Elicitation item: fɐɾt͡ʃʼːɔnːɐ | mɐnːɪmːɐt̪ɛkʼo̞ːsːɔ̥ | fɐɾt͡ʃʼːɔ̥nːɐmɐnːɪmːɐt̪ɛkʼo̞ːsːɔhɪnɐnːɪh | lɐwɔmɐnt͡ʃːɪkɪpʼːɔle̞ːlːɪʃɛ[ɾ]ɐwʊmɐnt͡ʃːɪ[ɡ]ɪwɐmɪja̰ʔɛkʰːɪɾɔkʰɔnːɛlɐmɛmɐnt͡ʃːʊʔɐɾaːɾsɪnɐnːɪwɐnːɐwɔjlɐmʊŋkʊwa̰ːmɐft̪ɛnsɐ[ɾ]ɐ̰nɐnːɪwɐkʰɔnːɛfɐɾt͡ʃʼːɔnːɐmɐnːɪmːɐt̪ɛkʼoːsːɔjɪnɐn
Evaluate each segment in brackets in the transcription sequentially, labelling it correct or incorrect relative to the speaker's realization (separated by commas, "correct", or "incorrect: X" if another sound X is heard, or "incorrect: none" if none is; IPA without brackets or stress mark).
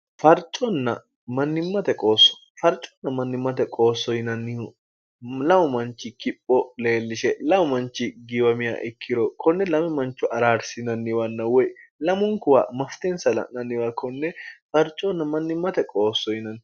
incorrect: l, correct, incorrect: l